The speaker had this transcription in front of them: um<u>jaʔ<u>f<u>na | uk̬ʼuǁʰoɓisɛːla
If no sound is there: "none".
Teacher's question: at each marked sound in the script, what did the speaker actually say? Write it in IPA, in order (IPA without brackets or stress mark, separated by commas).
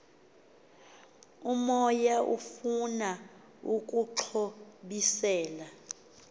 ɔ, u, u